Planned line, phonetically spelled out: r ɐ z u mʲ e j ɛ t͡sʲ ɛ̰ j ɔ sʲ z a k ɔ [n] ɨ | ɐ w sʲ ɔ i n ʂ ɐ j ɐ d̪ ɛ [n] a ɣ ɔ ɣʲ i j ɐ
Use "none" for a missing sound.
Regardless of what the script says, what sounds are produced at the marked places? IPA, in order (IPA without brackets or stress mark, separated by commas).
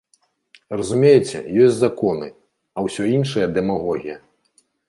n, m